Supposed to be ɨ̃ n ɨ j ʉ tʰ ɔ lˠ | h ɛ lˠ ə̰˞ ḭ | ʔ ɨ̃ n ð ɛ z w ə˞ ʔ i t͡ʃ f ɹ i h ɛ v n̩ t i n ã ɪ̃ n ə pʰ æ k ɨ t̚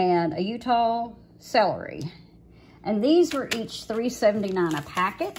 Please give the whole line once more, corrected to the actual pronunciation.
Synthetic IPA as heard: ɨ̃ n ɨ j ʉ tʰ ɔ lˠ | s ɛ lˠ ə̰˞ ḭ | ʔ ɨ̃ n ð i z w ə˞ ʔ i t͡ʃ θ ɹ i s ɛ v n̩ t i n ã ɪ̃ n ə pʰ æ k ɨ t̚